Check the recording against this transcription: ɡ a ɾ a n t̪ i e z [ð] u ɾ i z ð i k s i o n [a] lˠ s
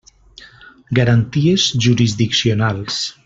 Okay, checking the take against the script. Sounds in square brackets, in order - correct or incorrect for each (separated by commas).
incorrect, correct